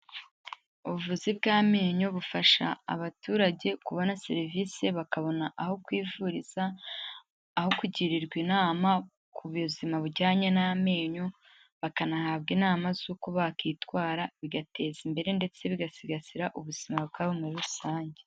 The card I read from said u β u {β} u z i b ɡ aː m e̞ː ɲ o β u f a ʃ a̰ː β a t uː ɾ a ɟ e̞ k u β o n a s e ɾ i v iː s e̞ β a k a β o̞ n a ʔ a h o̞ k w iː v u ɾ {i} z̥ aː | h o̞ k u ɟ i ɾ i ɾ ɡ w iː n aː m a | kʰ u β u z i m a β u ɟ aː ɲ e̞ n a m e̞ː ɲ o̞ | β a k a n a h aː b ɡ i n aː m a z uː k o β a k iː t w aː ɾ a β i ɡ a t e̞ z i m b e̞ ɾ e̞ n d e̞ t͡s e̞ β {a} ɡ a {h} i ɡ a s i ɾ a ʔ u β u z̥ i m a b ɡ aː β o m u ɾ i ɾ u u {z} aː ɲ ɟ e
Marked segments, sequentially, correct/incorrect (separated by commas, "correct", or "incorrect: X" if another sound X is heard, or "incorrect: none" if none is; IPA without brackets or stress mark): incorrect: v, correct, incorrect: i, incorrect: s, incorrect: s